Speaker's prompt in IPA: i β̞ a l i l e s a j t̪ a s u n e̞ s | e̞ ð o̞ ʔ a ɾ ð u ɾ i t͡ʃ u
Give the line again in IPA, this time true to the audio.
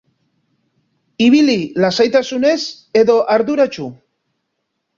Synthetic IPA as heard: i β̞ i l i l a s a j t̪ a s u n e̞ s | e̞ ð o̞ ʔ a ɾ ð u ɾ a t͡ʃ u